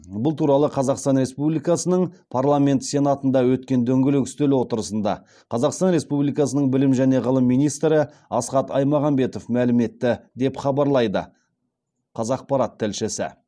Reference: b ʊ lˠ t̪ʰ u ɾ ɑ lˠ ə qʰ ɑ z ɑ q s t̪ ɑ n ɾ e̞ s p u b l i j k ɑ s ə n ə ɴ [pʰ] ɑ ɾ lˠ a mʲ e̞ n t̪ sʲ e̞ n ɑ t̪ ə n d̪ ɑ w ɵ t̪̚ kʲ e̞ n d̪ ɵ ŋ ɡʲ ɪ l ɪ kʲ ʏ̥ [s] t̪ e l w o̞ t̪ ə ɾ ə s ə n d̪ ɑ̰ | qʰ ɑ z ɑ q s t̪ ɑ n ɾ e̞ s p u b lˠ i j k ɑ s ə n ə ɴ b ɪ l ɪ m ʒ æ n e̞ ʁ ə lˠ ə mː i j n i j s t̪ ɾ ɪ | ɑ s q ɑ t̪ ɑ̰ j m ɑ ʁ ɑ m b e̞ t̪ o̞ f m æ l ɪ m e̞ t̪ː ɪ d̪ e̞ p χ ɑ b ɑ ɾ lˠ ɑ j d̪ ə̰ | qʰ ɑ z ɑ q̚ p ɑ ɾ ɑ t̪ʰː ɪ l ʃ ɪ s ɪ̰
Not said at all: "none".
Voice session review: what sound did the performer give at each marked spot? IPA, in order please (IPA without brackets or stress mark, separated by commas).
pʰ, s